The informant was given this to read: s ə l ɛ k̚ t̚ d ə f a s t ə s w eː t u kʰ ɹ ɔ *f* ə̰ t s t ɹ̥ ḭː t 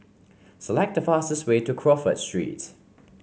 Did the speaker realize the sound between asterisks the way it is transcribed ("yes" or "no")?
yes